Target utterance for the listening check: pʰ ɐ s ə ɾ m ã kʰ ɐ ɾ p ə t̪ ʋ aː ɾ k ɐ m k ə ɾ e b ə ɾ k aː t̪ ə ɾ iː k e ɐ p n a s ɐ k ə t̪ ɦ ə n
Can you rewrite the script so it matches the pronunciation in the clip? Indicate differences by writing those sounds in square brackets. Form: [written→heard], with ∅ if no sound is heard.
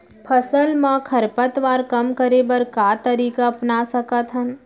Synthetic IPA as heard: pʰ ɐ s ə [ɾ→l] m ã kʰ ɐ ɾ p ə t̪ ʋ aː ɾ k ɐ m k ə ɾ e b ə ɾ k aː t̪ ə ɾ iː k [e→a] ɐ p n a s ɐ k ə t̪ ɦ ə n